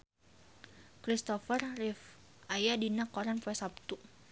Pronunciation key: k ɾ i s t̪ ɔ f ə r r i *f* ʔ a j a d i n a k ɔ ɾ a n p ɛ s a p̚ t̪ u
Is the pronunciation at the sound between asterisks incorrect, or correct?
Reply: correct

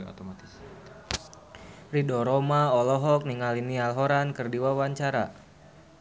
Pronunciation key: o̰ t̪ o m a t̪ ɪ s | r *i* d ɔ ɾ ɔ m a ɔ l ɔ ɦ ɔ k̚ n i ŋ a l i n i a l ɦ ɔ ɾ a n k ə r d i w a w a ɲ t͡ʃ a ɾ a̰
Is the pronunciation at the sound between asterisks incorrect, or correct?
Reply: correct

